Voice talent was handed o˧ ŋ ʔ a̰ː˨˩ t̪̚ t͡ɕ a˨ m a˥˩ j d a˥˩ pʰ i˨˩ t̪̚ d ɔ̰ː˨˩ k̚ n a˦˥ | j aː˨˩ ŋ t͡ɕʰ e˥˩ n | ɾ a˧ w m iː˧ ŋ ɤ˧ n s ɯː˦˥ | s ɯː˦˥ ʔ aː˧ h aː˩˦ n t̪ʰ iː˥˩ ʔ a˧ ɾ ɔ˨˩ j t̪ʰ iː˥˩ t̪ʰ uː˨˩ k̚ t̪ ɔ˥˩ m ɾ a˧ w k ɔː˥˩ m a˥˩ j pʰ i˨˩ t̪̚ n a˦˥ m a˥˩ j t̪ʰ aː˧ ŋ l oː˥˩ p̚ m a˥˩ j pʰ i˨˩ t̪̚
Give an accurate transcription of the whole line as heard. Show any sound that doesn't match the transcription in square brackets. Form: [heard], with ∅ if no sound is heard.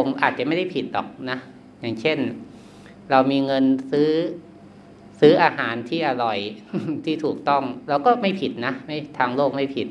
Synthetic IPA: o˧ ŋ ʔ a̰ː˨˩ t̪̚ t͡ɕ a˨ m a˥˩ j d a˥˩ pʰ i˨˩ t̪̚ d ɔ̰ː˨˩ k̚ n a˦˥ | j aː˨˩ ŋ t͡ɕʰ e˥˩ n | ɾ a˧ w m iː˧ ŋ ɤ˧ n s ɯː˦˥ | s ɯː˦˥ ʔ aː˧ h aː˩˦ n t̪ʰ iː˥˩ ʔ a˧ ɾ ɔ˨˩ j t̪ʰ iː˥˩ t̪ʰ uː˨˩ k̚ t̪ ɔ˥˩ [ŋ] ɾ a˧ w k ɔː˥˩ m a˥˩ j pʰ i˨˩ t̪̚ n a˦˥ m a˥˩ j t̪ʰ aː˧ ŋ l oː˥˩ [k̚] m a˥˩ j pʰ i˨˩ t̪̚